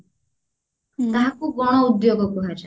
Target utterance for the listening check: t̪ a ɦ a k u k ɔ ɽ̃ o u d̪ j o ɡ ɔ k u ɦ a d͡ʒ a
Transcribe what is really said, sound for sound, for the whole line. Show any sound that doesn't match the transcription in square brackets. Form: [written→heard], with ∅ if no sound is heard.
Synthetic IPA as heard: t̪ a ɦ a k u [k→ɡ] ɔ ɽ̃ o u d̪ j o ɡ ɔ k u ɦ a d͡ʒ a